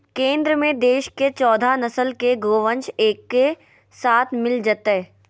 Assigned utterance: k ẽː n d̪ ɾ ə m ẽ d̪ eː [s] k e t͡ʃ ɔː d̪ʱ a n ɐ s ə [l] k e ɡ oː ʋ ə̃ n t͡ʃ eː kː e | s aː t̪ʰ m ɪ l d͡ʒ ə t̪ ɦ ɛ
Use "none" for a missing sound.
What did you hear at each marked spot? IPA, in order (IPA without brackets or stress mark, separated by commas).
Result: ʃ, l